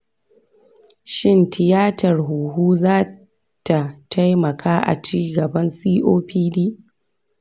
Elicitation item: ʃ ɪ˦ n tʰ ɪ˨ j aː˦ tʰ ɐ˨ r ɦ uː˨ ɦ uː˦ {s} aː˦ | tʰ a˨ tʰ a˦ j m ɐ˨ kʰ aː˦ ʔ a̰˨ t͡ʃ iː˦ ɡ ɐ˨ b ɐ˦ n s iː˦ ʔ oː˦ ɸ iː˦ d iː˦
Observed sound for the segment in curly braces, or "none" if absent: z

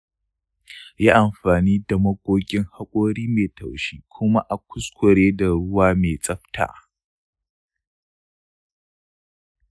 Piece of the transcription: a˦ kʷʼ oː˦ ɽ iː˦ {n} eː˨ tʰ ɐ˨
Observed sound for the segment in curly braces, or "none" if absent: m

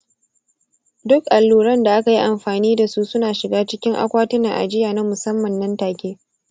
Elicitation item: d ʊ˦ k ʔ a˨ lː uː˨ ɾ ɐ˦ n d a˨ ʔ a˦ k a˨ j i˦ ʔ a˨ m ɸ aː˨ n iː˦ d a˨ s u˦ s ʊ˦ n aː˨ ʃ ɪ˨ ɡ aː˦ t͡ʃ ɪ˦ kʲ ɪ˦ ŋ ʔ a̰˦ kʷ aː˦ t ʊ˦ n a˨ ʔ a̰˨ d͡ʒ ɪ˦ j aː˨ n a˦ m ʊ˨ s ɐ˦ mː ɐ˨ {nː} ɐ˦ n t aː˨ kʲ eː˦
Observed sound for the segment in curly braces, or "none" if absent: nː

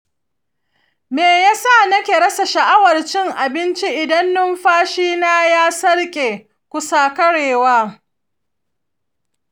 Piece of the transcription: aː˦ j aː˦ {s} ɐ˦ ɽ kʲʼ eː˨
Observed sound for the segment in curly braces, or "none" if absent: s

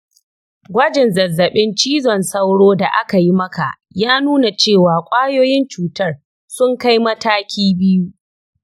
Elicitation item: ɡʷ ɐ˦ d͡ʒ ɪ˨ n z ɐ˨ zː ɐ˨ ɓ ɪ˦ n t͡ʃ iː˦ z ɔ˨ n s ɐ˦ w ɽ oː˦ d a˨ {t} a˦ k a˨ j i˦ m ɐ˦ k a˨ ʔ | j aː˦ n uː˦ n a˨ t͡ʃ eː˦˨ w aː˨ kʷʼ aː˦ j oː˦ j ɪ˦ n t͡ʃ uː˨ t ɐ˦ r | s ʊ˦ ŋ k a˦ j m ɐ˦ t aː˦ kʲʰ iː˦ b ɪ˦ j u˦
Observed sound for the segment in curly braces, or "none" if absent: ʔ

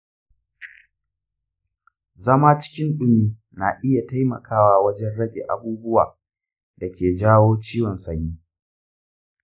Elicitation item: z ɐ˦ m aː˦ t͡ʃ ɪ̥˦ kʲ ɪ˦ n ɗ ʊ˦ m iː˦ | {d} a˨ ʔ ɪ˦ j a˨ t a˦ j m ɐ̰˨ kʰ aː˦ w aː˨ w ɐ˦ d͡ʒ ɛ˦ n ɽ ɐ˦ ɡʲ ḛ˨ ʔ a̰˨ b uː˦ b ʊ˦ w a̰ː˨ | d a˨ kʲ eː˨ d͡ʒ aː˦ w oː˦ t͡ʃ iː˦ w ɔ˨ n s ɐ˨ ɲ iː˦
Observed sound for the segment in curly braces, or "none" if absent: n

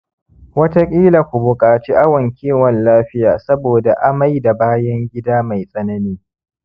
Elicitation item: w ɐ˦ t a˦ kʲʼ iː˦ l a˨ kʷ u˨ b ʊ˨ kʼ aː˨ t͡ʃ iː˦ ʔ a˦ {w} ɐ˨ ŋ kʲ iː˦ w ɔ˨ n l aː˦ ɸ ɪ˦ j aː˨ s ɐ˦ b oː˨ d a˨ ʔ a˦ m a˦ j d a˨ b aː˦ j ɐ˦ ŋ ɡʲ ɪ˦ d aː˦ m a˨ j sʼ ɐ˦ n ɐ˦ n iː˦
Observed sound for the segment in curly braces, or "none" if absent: w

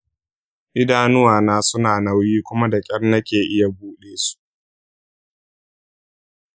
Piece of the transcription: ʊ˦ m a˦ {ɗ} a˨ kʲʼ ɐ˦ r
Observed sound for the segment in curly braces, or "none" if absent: d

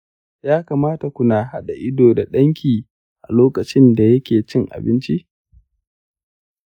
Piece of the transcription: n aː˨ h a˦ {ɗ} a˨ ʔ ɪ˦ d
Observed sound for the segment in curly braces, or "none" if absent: ɗ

